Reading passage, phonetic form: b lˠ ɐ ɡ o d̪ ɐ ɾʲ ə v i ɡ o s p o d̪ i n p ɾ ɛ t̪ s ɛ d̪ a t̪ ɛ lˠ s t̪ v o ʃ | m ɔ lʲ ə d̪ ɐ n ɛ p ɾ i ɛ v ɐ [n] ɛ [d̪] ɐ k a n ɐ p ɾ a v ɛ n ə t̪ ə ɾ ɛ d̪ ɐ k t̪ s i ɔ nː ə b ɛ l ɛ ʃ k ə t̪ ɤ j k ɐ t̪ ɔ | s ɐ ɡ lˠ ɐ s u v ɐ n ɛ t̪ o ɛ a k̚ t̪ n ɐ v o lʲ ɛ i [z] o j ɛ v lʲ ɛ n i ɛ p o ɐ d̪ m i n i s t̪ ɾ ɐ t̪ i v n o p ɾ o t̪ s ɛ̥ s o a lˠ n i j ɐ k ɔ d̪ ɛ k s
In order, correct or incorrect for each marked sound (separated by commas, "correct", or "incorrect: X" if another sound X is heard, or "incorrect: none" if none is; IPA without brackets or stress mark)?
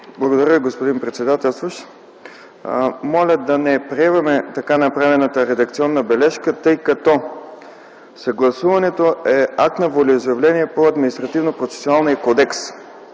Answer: incorrect: m, incorrect: t̪, correct